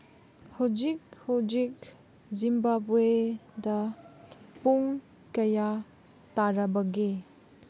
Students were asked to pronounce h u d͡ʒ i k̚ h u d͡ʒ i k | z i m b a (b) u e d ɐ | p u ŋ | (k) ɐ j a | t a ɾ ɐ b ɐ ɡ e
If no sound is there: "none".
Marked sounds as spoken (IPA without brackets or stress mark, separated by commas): b, k